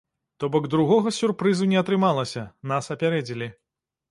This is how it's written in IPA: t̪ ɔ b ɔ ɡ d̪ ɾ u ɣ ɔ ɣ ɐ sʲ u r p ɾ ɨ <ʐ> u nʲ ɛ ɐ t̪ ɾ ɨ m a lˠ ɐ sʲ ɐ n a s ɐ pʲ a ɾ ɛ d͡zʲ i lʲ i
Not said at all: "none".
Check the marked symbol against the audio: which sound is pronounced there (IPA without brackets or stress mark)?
z